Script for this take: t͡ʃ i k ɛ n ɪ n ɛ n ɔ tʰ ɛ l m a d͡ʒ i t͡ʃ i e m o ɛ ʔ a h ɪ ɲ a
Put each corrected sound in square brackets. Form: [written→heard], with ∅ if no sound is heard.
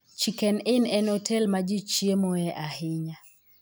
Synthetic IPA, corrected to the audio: t͡ʃ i k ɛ n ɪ n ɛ n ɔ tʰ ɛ l m a d͡ʒ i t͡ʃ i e m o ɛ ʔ a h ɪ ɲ a